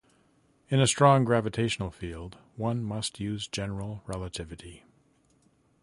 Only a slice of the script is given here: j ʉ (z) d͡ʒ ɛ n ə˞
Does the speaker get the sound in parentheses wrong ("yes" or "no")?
no